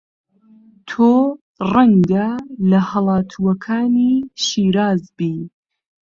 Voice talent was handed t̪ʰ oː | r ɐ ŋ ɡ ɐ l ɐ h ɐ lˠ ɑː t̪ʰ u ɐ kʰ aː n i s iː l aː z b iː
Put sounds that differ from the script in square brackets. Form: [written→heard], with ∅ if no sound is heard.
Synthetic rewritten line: t̪ʰ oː | r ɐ ŋ ɡ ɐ l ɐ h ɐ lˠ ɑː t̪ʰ u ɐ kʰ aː n i [s→ʃ] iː [l→ɾ] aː z b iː